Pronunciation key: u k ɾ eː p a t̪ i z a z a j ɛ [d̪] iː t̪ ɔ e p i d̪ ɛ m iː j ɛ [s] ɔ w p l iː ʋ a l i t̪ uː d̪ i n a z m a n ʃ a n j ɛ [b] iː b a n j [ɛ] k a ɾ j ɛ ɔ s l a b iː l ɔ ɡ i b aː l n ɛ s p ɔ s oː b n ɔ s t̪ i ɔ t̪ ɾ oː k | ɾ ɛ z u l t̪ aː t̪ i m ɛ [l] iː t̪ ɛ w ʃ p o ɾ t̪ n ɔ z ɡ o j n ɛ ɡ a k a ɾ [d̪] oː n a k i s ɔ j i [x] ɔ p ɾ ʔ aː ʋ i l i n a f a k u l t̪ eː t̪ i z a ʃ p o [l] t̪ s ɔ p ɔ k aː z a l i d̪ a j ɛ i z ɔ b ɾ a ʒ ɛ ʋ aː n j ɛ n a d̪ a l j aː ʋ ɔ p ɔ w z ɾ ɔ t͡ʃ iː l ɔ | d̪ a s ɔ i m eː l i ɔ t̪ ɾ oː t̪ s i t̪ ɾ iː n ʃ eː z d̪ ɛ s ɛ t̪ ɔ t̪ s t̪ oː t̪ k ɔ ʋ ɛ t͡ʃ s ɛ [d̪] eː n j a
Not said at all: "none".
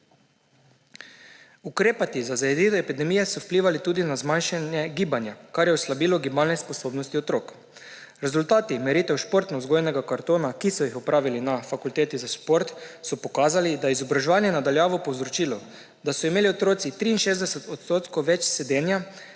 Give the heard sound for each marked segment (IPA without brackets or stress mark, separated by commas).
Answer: d̪, s, ɡ, a, ɾ, t̪, x, ɾ, d̪